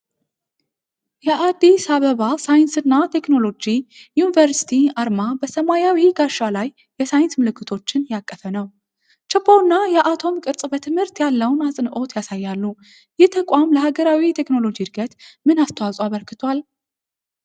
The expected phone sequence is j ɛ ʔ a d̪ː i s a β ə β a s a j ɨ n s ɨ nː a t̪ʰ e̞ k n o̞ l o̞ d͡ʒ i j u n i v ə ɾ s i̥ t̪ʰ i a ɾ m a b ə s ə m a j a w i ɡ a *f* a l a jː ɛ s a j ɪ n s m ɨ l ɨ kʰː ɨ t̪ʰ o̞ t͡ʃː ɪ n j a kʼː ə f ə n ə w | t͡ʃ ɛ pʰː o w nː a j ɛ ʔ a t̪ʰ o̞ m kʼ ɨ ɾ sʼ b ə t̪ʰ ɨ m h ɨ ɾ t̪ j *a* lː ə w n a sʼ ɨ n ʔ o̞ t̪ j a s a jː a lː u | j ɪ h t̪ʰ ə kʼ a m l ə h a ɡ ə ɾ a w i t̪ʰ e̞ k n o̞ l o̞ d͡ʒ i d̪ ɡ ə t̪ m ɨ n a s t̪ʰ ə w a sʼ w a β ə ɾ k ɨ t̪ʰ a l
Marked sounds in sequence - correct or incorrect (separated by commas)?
incorrect, correct